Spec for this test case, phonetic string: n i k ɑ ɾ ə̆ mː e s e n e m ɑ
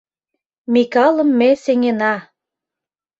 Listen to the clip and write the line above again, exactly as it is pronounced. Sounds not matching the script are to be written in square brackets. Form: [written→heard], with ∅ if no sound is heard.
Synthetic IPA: [n→m] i k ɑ [ɾ→l] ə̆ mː e s e [n→ŋ] e [m→n] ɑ